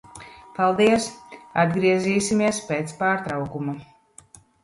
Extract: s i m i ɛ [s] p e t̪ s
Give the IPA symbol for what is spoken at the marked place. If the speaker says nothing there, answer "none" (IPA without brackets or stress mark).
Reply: s